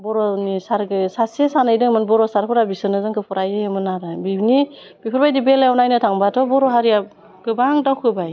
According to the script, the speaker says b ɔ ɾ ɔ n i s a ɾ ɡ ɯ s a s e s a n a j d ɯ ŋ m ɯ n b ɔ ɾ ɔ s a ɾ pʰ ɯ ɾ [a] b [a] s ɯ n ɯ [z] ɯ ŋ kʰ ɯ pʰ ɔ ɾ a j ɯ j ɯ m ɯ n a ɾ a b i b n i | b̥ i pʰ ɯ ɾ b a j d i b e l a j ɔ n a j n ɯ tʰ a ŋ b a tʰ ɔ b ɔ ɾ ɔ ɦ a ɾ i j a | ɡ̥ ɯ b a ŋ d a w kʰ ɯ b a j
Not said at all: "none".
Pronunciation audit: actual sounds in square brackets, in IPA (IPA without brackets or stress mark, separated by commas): a, i, z